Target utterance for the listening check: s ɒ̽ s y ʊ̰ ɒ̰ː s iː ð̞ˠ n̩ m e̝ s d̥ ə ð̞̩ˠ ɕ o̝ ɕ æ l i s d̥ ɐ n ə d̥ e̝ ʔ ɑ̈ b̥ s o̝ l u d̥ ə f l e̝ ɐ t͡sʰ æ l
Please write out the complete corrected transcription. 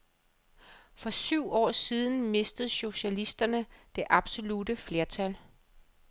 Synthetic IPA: f ɒ̽ s y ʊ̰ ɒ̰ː s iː ð̞ˠ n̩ m e̝ s d̥ ə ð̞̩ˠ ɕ o̝ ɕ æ l i s d̥ ɐ n ə d̥ e̝ ʔ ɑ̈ b̥ s o̝ l u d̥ ə f l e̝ ɐ t͡sʰ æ l